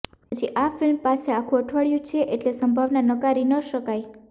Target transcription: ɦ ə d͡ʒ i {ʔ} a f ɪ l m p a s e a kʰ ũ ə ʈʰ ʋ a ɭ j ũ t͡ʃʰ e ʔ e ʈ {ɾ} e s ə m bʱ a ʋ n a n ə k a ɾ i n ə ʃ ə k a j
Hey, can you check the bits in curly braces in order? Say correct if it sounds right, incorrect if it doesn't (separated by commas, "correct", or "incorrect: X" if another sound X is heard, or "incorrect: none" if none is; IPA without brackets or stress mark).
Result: correct, incorrect: l